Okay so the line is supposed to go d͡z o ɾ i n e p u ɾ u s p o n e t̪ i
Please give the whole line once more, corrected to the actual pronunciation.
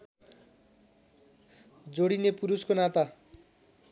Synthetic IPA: d͡z o ɽ i n e p u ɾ u s k o n a t̪ a